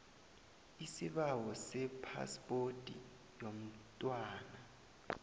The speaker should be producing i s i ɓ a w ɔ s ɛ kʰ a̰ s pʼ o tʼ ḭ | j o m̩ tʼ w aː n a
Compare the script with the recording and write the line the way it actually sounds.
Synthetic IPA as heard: i s i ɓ a w ɔ s ɛ pʰ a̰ s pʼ o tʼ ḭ | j o m̩ tʼ w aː n a